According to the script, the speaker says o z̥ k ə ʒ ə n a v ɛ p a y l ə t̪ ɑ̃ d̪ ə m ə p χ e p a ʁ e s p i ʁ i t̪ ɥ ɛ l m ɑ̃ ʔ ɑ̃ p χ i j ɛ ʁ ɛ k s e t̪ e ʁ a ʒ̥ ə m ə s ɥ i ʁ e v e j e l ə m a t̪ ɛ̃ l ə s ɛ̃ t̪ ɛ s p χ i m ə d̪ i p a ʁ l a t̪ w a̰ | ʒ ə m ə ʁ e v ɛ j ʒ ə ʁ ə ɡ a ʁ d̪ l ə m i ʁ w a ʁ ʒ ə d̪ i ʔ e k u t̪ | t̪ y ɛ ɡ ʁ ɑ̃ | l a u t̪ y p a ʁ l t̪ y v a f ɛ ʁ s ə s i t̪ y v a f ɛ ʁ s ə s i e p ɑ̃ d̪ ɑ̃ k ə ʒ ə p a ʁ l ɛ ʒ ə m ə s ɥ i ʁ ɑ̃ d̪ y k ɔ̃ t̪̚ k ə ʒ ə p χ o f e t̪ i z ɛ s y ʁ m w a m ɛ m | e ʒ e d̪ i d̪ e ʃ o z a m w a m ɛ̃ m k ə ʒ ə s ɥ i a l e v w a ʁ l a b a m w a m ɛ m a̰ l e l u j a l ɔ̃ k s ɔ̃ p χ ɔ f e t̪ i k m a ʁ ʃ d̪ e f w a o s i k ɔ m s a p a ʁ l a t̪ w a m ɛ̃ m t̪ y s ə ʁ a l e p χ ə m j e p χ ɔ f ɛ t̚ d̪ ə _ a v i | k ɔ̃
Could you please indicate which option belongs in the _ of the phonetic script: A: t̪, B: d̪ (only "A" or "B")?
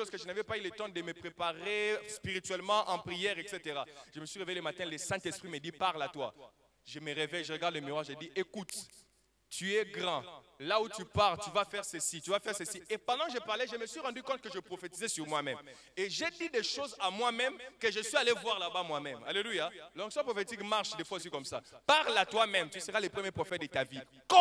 A